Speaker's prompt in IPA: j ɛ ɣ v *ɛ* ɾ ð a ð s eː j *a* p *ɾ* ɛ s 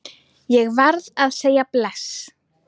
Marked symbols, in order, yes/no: no, yes, no

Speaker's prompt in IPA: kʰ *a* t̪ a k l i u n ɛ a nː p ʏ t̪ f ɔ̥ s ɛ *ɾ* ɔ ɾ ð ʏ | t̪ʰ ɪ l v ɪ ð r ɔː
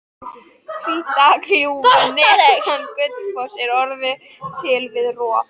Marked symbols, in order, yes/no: no, yes

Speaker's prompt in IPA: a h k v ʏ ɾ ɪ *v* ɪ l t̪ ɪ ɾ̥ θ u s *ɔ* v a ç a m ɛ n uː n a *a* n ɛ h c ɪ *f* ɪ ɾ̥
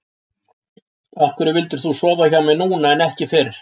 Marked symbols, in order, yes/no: yes, no, no, yes

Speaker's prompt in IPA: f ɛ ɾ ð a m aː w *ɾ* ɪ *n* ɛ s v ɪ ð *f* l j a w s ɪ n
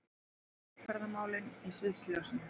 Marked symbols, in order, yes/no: no, yes, no

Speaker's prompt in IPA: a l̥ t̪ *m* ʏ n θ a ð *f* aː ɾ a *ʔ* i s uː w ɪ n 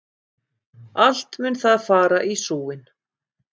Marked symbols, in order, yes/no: yes, yes, yes

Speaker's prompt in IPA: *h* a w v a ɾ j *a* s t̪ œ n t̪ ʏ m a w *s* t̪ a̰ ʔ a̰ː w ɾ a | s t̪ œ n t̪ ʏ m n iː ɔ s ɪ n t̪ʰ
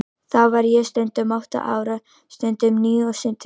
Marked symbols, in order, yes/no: no, no, no

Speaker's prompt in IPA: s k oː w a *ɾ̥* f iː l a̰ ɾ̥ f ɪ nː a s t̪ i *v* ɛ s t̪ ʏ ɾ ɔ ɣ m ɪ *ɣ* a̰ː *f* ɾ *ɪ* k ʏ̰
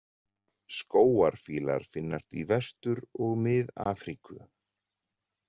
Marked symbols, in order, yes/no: yes, yes, no, yes, no

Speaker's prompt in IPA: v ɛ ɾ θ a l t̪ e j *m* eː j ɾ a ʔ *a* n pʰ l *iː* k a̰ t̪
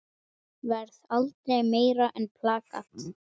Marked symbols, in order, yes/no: yes, no, no

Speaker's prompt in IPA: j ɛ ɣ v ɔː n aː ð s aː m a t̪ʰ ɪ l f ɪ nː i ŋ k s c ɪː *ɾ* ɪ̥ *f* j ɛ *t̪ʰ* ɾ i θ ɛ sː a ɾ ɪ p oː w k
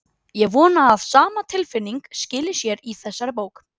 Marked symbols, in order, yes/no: no, no, no

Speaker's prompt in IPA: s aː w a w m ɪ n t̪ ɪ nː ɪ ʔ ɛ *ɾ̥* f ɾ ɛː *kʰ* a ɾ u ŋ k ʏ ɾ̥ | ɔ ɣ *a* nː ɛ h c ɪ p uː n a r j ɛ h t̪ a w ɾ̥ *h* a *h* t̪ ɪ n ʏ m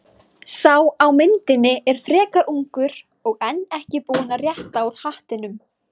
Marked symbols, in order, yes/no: yes, no, no, yes, yes

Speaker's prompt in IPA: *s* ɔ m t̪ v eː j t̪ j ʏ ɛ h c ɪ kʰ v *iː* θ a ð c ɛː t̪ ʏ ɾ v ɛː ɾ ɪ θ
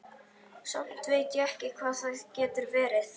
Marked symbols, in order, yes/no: yes, no

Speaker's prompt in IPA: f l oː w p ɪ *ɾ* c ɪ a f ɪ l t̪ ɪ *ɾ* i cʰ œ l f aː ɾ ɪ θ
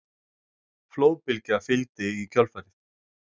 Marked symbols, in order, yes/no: no, no

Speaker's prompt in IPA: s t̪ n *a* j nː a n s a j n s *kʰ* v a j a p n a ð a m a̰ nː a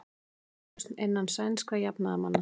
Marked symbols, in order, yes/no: no, no

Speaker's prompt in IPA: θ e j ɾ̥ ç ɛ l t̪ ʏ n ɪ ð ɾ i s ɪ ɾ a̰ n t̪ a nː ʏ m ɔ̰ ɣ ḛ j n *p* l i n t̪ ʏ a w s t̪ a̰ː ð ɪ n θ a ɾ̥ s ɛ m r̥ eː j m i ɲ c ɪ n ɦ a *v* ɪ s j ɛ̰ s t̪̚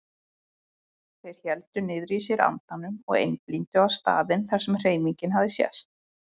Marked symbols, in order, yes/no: yes, no

